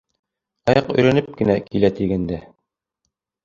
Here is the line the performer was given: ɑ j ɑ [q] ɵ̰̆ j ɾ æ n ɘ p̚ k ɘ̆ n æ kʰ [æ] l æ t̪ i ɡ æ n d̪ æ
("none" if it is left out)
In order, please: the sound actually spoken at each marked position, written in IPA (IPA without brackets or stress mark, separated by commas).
q, i